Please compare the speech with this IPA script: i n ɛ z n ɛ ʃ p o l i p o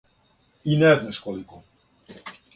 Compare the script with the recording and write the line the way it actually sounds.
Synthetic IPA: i n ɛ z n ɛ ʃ k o l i k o